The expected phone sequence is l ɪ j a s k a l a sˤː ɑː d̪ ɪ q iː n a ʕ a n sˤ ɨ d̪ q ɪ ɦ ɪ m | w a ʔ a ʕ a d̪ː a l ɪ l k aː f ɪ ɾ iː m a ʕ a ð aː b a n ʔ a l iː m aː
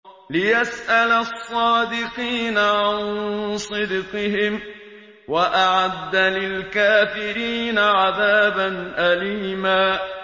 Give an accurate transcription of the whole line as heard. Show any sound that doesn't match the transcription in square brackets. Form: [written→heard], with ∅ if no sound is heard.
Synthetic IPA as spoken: l ɪ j a s [k→ʔ] a l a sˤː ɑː d̪ ɪ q iː n a ʕ a n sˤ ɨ d̪ q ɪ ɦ ɪ m | w a ʔ a ʕ a d̪ː a l ɪ l k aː f ɪ ɾ iː [m→n] a ʕ a ð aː b a n ʔ a l iː m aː